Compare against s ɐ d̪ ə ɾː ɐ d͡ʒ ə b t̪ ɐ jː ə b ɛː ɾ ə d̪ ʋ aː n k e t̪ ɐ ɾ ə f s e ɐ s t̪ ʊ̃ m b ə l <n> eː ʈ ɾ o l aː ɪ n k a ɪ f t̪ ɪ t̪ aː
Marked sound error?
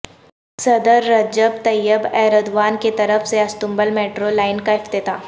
yes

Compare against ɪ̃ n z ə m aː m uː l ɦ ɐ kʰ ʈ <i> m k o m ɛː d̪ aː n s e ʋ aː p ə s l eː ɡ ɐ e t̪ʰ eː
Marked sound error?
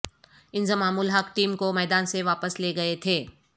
yes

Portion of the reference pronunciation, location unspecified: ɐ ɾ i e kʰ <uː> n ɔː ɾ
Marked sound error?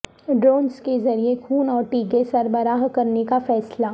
no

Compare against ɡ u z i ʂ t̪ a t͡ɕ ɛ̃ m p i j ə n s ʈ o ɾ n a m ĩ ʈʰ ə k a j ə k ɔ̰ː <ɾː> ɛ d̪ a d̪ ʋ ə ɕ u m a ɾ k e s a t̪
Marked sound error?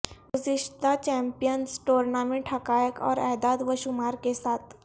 yes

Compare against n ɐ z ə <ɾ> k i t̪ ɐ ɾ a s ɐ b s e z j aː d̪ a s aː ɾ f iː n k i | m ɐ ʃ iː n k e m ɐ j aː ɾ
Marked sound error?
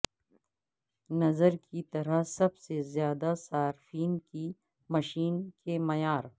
no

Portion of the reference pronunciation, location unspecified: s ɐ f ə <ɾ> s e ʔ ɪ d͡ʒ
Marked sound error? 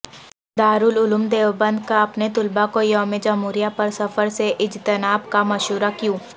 no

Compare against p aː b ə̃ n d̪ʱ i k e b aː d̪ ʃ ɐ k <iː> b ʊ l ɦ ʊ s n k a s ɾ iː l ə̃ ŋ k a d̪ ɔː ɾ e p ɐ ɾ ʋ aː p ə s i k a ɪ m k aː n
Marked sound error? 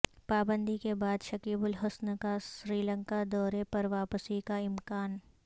no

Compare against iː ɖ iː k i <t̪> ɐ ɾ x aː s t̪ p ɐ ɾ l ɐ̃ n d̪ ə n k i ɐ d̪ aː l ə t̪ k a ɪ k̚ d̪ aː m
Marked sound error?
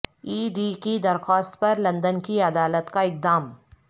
yes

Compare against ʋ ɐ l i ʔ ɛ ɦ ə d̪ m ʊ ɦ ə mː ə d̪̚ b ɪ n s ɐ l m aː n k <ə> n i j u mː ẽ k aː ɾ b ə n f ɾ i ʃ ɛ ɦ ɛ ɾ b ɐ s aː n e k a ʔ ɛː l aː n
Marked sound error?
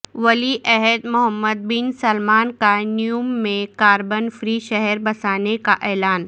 yes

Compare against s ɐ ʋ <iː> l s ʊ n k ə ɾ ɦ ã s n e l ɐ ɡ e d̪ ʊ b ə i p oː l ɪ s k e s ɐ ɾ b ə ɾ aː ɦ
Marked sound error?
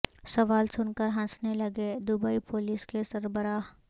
yes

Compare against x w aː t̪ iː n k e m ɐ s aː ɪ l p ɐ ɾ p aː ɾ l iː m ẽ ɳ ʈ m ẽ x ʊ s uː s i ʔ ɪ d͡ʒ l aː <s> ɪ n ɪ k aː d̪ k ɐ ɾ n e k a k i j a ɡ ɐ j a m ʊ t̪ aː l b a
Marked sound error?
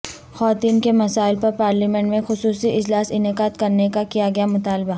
no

